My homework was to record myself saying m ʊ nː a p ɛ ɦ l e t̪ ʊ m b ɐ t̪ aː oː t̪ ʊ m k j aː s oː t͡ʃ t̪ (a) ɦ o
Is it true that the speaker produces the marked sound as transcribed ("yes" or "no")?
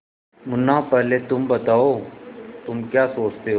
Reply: no